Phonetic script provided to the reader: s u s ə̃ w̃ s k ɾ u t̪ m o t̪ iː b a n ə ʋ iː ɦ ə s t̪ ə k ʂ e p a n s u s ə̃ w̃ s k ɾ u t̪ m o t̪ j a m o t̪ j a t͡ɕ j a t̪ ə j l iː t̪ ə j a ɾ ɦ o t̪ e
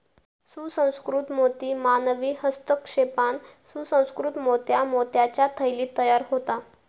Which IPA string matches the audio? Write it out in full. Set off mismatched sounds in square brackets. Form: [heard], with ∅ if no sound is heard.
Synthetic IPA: s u s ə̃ w̃ s k ɾ u t̪ m o t̪ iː [m] a n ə ʋ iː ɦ ə s t̪ ə k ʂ e p a n s u s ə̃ w̃ s k ɾ u t̪ m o t̪ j a m o t̪ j a t͡ɕ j a [t̪ʰ] ə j l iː t̪ ə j a ɾ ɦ o t̪ [a]